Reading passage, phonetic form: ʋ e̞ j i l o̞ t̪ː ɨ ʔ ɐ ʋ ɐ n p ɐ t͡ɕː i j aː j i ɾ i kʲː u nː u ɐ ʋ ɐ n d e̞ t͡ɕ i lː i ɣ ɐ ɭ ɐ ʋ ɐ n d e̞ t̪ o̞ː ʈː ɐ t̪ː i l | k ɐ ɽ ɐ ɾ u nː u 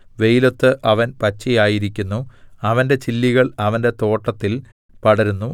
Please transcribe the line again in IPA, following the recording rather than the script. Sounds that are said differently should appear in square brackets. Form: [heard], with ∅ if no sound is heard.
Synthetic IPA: ʋ e̞ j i l o̞ t̪ː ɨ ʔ ɐ ʋ ɐ n p ɐ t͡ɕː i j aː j i ɾ i kʲː u nː u ɐ ʋ ɐ n d e̞ t͡ɕ i lː i ɣ ɐ ɭ ɐ ʋ ɐ n d e̞ t̪ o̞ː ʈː ɐ t̪ː i l | [p] ɐ ɽ ɐ ɾ u nː u